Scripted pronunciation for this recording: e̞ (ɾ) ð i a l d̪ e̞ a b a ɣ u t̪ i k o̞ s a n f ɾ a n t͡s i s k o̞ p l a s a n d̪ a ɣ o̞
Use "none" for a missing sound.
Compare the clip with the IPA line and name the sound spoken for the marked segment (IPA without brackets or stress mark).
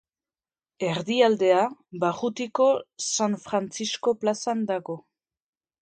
ɾ